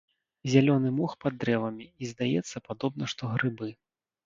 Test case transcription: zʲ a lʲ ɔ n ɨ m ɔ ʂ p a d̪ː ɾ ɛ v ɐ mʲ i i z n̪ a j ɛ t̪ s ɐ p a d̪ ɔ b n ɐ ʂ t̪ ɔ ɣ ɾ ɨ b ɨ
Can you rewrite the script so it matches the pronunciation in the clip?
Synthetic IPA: zʲ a lʲ ɔ n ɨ m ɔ x p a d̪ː ɾ ɛ v ɐ mʲ i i z d̪ a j ɛ t̪ sː ɐ p a d̪ ɔ b n ɐ ʂ t̪ ɔ ɣ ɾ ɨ b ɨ